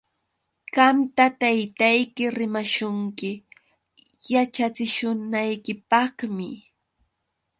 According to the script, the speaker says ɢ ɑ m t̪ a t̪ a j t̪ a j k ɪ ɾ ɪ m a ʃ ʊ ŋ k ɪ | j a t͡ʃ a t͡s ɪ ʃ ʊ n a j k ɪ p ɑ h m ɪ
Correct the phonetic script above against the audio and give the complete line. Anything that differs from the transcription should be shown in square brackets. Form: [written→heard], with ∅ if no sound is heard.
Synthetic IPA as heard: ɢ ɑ m t̪ a t̪ a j t̪ a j k ɪ ɾ ɪ m a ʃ ʊ ŋ k ɪ | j a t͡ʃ a t͡s ɪ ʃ ʊ n a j k ɪ p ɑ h m ɪ